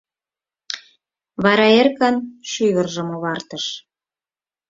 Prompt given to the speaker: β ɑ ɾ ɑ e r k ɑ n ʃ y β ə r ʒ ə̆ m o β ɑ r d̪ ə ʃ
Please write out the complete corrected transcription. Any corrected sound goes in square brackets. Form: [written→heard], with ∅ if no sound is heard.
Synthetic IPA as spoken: β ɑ ɾ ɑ e r k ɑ n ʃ y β ə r ʒ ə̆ m o β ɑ r [d̪→t̪] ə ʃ